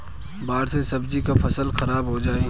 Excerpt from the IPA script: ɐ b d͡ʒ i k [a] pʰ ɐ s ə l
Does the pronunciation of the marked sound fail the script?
no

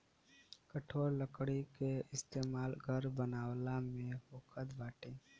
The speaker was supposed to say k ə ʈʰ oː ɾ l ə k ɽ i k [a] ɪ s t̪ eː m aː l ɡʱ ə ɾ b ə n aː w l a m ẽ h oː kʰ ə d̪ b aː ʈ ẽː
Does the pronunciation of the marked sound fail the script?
yes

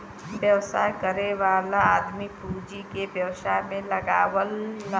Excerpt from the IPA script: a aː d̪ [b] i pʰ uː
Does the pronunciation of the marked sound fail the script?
yes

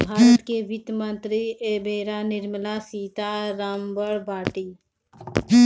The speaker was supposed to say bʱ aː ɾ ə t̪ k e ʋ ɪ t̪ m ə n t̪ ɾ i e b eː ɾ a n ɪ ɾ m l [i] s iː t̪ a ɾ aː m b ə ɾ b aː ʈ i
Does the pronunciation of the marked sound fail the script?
yes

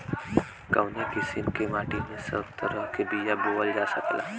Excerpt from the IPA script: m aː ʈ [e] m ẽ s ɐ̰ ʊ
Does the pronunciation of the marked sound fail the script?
yes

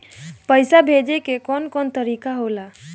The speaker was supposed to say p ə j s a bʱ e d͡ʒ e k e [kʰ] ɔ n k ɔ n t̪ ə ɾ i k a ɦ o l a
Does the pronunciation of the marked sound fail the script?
yes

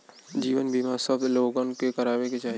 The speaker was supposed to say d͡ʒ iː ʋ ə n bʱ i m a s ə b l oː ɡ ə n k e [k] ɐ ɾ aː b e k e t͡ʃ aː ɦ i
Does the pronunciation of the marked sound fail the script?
no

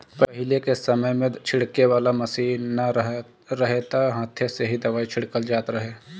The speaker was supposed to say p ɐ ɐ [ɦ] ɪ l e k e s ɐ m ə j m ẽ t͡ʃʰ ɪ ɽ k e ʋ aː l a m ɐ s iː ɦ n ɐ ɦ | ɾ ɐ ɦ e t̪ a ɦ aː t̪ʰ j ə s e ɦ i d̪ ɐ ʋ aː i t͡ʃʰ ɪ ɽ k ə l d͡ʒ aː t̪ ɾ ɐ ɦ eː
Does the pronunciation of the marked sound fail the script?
no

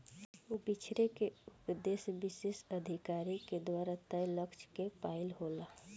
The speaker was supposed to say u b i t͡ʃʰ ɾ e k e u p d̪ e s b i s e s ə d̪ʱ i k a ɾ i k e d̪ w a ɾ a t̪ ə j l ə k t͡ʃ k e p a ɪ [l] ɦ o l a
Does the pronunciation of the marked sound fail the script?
no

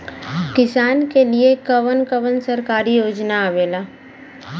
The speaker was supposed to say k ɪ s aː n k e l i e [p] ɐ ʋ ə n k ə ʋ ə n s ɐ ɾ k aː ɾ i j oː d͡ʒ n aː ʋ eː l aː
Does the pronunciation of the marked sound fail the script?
yes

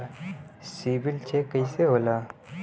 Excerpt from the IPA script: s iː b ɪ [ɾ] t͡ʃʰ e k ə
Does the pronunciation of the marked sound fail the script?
yes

